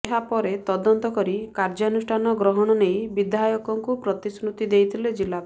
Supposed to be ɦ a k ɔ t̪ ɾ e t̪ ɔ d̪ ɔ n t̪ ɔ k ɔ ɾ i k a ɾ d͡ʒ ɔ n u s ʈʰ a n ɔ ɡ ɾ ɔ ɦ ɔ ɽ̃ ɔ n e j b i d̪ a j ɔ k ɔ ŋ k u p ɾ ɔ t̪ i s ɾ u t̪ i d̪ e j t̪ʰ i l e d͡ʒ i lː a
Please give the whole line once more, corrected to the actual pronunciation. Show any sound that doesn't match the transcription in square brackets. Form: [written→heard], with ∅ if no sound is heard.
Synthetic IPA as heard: ɦ a [k→p] ɔ [t̪→∅] ɾ e t̪ ɔ d̪ ɔ n t̪ ɔ k ɔ ɾ i k a ɾ d͡ʒ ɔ n u s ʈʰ a n ɔ ɡ ɾ ɔ ɦ ɔ ɽ̃ ɔ n e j b i d̪ a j ɔ k ɔ ŋ k u p ɾ ɔ t̪ i s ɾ u t̪ i d̪ e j t̪ʰ i l e d͡ʒ i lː a